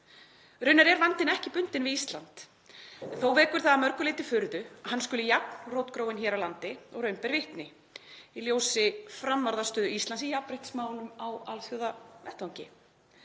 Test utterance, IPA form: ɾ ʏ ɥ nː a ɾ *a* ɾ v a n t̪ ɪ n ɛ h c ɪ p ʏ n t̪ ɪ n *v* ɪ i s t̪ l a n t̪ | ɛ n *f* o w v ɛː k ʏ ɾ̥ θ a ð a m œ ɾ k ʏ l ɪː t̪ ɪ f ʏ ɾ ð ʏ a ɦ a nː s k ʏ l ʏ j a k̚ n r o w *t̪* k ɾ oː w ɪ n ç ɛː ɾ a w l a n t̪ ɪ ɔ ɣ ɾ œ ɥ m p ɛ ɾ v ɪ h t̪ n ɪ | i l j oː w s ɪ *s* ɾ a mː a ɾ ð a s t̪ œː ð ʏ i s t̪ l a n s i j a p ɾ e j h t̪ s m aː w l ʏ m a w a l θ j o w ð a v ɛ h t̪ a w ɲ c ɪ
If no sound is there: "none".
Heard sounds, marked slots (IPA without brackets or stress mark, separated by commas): ɛ, v, θ, t̪, f